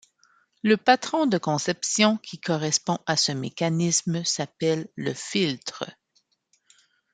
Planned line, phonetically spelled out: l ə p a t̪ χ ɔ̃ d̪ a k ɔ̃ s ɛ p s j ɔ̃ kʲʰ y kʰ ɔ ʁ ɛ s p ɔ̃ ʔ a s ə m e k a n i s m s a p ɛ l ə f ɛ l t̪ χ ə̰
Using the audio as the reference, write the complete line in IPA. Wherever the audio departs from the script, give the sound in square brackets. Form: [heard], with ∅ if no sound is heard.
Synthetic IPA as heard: l ə p a t̪ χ ɔ̃ d̪ [ə] k ɔ̃ s ɛ p s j ɔ̃ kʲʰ [i] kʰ ɔ ʁ ɛ s p ɔ̃ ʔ a s ə m e k a n i s m s a p ɛ [lː] ə f [i] l t̪ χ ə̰